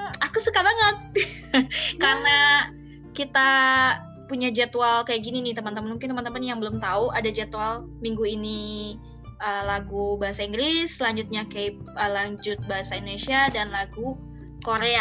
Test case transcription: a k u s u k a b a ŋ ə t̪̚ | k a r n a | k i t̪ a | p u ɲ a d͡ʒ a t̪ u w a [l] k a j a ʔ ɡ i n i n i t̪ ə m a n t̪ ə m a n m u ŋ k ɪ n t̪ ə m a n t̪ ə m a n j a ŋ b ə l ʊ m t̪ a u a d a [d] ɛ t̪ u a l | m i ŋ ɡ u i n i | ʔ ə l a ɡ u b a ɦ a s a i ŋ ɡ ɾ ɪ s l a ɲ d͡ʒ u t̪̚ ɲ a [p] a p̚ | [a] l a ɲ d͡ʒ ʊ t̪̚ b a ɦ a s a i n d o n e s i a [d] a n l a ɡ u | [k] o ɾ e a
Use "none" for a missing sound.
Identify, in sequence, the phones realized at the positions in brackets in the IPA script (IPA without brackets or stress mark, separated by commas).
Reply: l, d͡ʒ, k, ə, d, k